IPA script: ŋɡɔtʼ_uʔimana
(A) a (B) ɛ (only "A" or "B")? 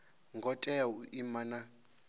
B